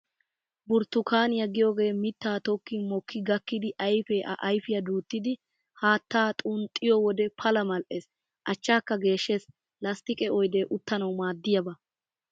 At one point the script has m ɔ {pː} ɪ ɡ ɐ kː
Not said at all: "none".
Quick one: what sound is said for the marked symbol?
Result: kː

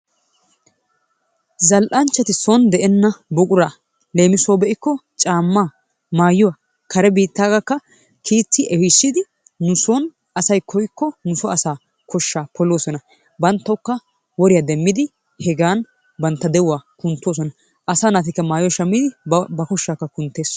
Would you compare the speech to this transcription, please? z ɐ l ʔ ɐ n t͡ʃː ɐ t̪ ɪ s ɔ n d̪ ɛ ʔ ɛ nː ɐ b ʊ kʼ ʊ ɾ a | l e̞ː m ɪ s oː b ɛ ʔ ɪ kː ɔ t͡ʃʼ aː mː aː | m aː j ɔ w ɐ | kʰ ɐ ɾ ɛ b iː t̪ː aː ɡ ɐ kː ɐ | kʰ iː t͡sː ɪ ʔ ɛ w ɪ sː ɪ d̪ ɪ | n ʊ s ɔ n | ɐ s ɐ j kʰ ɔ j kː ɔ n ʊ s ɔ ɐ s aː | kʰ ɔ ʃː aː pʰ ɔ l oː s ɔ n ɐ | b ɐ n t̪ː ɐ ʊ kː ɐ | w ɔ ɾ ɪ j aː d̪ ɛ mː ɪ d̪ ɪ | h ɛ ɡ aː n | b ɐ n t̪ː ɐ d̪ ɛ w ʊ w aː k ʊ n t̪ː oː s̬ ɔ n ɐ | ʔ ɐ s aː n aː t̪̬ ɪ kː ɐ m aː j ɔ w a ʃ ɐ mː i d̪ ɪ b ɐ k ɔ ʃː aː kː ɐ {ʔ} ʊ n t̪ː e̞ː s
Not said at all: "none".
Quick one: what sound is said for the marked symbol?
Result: k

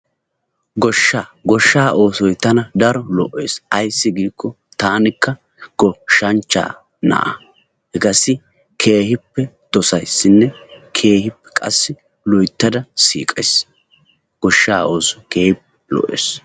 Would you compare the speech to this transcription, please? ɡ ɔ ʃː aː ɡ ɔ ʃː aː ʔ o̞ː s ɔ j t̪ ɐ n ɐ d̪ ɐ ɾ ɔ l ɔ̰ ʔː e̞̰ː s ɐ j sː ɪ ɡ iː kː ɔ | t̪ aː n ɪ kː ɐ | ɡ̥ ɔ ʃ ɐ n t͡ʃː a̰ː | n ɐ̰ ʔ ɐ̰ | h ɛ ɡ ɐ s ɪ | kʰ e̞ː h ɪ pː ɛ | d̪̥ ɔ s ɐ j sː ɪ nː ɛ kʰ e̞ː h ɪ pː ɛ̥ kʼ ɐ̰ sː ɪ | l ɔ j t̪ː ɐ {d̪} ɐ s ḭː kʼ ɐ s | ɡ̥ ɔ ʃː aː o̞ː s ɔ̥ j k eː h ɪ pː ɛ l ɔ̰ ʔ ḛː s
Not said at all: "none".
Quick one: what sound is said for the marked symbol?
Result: d̪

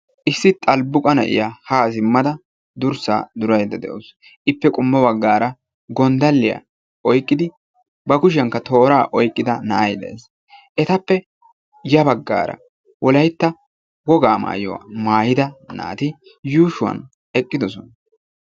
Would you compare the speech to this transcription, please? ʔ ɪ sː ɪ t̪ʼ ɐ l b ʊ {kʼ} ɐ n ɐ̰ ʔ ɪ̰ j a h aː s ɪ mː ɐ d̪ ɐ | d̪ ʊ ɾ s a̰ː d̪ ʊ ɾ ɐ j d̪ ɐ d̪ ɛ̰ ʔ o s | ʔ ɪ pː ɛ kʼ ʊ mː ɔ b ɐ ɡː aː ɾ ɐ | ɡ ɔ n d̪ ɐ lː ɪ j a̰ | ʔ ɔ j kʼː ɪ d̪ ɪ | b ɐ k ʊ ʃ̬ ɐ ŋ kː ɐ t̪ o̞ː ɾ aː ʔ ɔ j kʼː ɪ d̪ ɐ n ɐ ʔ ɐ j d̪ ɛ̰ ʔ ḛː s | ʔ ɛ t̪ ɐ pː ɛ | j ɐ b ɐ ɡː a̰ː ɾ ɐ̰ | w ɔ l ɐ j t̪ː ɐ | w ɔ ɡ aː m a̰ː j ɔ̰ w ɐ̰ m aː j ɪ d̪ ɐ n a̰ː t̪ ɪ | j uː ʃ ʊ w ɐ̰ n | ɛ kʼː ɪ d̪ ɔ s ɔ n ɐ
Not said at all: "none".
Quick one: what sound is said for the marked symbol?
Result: kʼ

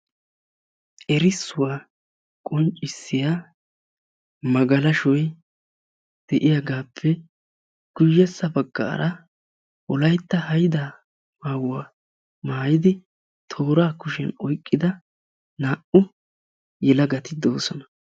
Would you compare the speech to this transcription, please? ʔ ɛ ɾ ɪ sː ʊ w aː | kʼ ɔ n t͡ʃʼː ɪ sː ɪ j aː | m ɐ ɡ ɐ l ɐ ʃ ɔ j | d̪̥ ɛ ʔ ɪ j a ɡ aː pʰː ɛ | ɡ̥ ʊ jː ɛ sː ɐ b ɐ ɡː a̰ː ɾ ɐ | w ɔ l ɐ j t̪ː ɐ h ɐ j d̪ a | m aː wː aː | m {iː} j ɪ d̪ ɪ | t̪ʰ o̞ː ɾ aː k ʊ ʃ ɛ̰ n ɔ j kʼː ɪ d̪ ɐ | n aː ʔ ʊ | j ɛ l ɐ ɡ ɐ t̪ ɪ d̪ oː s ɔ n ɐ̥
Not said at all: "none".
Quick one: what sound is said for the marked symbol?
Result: aː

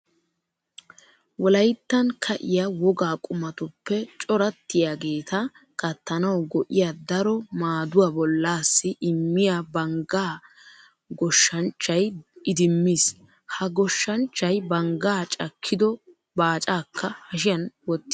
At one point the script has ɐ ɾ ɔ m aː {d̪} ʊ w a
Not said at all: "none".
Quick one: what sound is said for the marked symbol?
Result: d̪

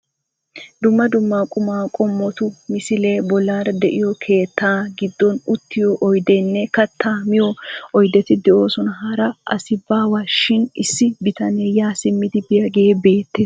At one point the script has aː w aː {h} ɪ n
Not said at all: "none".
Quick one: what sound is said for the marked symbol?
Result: ʃ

